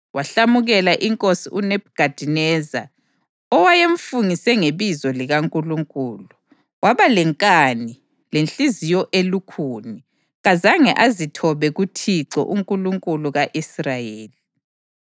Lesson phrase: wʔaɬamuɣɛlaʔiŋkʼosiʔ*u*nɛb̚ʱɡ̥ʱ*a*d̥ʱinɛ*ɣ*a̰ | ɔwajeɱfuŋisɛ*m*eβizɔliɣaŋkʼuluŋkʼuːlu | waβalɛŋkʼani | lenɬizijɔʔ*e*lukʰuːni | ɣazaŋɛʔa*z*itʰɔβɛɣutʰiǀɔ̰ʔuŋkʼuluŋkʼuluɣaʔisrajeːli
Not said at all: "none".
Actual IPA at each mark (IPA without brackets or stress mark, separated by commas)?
u, a, z, ŋ, e, z